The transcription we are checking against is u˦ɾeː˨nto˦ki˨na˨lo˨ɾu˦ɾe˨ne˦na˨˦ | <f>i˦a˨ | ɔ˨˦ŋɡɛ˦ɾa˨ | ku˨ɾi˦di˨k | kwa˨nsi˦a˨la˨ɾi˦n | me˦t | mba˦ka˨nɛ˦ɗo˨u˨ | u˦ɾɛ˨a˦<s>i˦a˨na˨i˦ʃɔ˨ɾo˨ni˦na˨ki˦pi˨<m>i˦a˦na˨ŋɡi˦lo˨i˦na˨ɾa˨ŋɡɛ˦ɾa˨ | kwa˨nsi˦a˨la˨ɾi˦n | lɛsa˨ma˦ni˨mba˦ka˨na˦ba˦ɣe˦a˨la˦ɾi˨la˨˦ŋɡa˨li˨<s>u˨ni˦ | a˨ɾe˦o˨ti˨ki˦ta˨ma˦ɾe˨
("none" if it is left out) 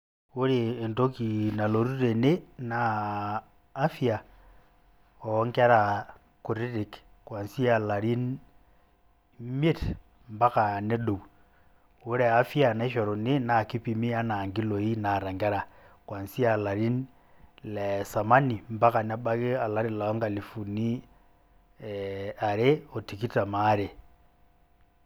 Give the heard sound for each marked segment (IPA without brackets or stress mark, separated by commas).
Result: f, f, m, f